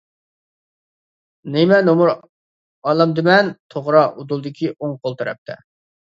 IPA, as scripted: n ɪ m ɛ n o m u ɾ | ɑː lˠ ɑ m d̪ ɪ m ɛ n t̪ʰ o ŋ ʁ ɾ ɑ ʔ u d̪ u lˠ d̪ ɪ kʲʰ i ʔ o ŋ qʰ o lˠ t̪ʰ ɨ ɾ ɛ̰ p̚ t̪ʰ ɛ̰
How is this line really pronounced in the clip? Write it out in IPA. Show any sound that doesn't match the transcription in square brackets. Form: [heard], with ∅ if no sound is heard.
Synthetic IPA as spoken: n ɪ m ɛ n o m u ɾ | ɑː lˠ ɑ m d̪ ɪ m ɛ n t̪ʰ o [∅] ʁ ɾ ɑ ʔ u d̪ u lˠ d̪ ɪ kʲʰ i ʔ o ŋ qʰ o lˠ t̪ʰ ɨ ɾ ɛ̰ p̚ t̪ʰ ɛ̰